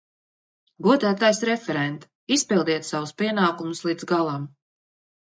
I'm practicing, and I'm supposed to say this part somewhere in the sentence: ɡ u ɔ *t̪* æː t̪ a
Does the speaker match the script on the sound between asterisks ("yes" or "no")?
no